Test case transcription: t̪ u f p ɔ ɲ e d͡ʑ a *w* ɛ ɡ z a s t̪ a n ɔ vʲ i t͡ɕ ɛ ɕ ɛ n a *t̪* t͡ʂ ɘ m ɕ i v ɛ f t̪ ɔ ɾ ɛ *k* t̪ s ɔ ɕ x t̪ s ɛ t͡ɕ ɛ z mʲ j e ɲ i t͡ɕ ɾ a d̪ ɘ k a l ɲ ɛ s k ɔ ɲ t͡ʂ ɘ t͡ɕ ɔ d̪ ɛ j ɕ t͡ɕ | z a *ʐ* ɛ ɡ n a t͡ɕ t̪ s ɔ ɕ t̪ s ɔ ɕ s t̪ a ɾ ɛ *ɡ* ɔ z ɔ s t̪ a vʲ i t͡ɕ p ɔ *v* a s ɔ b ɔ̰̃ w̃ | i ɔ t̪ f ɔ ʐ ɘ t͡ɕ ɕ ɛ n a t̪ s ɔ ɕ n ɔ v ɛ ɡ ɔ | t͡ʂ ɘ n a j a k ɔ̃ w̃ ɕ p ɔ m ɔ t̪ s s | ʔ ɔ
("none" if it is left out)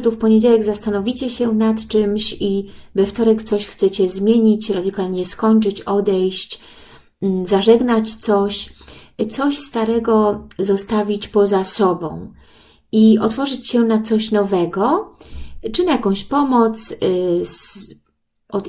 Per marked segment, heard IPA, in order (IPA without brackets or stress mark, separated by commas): w, t̪, k, ʐ, ɡ, z